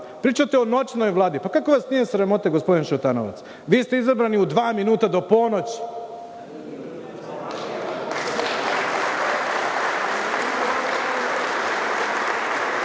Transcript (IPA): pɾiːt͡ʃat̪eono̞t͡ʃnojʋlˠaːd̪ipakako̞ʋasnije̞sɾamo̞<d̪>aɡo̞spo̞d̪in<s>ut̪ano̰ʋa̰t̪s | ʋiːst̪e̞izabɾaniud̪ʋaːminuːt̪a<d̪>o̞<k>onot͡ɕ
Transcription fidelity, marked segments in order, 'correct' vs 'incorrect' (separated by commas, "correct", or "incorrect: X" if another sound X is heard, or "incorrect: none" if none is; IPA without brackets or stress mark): incorrect: t̪, incorrect: ʃ, correct, incorrect: p